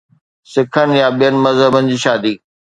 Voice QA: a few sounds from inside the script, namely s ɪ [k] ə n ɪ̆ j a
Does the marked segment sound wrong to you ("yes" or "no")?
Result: yes